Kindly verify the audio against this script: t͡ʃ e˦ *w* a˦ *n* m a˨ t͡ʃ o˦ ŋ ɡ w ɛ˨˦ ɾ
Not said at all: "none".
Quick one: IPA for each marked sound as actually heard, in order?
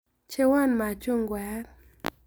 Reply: w, n

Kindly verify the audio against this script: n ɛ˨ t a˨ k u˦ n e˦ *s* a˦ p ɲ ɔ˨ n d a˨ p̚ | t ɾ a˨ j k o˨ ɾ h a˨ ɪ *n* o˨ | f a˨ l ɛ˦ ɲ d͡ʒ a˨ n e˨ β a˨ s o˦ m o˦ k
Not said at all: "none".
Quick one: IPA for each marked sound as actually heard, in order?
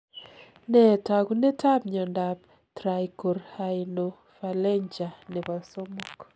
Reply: t, n

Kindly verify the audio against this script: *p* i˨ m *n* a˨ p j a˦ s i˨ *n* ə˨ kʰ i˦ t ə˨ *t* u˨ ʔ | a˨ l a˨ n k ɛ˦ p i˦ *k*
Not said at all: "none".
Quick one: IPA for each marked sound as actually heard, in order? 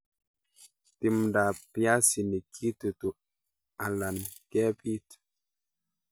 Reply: t, d, n, t, t

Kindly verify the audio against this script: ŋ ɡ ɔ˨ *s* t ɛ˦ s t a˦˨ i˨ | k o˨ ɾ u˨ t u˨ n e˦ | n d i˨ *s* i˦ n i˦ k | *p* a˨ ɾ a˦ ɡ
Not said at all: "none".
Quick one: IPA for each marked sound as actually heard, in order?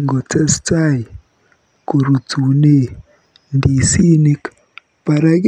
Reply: none, s, p

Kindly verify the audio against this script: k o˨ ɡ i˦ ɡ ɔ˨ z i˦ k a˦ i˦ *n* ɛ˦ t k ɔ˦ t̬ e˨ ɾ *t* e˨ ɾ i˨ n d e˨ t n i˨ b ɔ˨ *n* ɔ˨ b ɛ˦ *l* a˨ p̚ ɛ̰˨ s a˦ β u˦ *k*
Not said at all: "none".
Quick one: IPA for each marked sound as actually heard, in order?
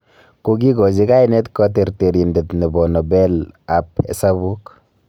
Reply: n, t, n, l, k

